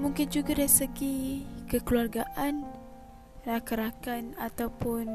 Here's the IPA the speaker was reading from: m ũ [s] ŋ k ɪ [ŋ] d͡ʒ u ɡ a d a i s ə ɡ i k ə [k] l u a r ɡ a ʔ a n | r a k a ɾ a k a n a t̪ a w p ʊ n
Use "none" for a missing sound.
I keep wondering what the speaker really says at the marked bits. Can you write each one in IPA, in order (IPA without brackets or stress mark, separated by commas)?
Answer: none, n, k